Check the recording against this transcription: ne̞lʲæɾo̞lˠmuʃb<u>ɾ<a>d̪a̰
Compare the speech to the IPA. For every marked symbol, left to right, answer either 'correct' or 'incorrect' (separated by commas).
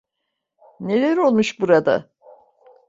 correct, correct